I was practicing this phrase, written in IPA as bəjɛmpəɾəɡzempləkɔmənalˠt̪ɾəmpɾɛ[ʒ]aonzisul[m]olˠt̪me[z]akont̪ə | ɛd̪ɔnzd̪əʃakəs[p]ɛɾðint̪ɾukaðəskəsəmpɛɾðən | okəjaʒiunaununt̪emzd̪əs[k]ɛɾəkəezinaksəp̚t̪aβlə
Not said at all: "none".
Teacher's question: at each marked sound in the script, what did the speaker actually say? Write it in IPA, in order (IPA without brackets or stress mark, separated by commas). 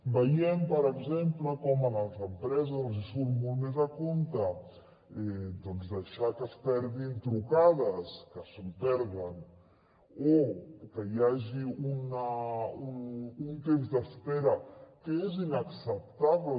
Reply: z, m, z, p, p